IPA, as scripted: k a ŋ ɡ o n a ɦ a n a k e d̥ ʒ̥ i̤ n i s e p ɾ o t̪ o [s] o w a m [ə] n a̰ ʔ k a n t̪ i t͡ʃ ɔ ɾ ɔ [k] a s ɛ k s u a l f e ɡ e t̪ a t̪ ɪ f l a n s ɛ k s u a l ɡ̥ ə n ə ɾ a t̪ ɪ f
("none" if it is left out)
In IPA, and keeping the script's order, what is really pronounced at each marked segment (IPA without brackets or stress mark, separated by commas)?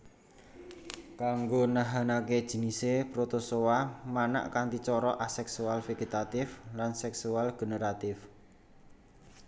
s, a, ʔ